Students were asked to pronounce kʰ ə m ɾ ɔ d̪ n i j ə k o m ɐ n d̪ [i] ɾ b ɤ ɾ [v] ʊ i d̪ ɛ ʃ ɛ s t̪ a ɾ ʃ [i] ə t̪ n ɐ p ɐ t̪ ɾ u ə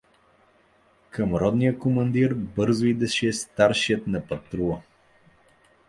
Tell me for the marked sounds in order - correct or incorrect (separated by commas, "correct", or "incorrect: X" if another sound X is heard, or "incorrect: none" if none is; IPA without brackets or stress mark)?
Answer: correct, incorrect: z, correct